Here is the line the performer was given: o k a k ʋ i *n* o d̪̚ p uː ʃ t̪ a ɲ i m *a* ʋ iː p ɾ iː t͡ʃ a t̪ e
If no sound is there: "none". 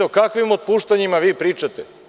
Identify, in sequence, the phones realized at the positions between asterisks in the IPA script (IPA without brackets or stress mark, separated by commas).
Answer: m, a